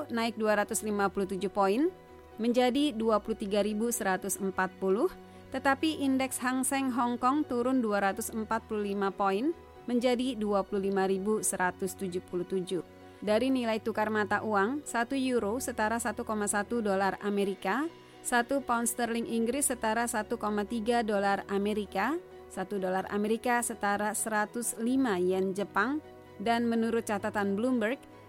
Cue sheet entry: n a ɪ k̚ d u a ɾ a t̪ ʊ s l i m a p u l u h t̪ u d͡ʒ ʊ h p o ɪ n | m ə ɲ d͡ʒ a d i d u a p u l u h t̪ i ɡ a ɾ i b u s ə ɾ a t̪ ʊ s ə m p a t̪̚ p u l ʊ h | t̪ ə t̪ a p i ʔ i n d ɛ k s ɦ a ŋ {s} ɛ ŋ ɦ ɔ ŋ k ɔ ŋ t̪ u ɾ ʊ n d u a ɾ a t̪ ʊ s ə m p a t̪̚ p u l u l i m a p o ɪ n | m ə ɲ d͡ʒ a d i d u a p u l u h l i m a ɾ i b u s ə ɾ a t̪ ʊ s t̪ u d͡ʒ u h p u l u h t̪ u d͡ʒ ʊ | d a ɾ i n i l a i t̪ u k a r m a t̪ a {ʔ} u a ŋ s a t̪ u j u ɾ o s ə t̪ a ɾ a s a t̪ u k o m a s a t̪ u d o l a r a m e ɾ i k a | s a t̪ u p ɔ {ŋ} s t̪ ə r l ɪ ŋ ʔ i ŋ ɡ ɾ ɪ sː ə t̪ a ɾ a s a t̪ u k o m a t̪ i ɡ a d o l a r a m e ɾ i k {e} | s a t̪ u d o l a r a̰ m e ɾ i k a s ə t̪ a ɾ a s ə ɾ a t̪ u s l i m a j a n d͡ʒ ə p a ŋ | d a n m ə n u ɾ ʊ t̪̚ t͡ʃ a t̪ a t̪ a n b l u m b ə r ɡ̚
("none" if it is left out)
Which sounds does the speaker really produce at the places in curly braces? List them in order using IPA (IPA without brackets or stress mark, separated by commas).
s, ʔ, n, a